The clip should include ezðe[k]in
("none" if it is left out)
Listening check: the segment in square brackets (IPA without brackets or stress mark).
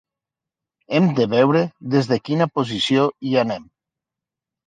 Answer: k